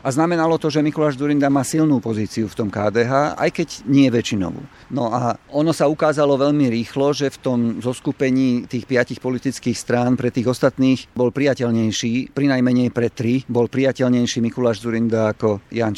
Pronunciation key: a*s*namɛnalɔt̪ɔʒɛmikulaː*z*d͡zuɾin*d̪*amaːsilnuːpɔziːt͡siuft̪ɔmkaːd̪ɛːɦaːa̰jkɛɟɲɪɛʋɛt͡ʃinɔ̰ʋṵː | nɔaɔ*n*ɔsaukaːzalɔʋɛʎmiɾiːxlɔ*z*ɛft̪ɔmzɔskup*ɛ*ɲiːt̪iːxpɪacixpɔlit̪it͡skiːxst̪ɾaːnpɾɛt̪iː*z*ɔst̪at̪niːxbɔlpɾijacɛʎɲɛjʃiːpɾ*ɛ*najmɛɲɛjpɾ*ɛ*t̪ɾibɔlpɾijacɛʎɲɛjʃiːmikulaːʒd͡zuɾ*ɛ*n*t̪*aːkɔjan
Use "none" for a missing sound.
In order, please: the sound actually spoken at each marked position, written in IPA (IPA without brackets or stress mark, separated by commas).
z, ʒ, d̪, n, ʒ, ɛ, ɣ, i, ɛ, i, d̪